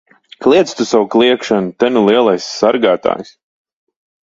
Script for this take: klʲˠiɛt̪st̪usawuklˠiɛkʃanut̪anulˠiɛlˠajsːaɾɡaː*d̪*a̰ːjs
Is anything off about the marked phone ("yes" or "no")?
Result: yes